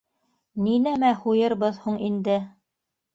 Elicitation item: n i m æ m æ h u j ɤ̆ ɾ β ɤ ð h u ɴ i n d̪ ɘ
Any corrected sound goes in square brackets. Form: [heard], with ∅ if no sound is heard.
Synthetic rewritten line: n i [n] æ m æ h u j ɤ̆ ɾ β ɤ ð h u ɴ i n d̪ ɘ